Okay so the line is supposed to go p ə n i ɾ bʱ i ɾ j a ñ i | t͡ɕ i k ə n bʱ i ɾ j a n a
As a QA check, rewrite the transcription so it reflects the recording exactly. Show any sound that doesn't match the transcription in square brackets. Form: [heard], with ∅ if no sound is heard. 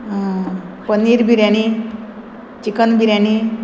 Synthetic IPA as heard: p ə n i ɾ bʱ i ɾ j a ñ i | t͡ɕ i k ə n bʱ i ɾ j a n [i]